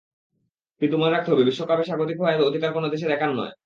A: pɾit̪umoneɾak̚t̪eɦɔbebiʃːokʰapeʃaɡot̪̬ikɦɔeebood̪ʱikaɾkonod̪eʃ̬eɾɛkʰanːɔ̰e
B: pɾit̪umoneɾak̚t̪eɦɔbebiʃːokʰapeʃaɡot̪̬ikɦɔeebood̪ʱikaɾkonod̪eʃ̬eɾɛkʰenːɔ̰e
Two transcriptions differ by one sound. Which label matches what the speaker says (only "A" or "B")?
A